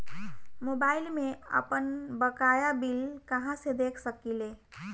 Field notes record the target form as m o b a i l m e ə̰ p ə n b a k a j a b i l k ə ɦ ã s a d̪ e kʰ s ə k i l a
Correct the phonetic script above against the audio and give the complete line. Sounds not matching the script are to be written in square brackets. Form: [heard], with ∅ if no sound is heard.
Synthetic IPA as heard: m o b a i l m e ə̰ p ə n b [ə] k a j a b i l k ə ɦ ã s [e] d̪ e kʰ s ə k i l [e]